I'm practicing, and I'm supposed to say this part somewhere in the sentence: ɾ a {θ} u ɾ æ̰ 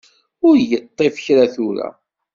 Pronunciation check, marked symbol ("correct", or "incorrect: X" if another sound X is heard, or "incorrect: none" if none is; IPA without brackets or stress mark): correct